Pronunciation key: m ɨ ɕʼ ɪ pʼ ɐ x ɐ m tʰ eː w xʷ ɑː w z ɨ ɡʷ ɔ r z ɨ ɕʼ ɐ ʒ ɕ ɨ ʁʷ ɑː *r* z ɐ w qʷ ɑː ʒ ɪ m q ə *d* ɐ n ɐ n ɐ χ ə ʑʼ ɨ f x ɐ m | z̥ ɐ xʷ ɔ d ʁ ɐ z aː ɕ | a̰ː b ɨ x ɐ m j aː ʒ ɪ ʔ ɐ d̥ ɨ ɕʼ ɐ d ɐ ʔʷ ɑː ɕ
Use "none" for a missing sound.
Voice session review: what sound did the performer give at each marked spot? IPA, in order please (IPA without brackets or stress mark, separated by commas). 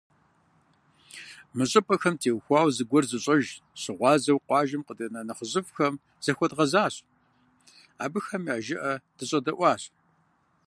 none, d